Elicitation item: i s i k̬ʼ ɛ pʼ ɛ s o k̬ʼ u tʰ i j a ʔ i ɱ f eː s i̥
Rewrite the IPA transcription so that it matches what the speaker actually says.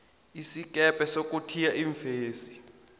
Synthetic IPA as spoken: i s i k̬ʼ ɛ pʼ ɛ s o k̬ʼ u tʰ i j a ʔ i ɱ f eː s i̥